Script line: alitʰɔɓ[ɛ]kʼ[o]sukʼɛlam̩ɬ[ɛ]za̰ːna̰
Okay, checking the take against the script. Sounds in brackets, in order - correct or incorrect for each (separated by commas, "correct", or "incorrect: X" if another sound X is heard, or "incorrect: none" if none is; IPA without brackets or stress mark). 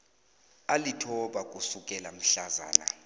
incorrect: a, incorrect: u, incorrect: a